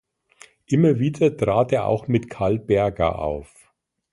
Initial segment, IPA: ʔ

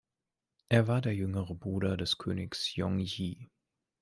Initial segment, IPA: ʔ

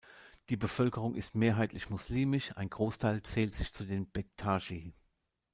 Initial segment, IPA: d̥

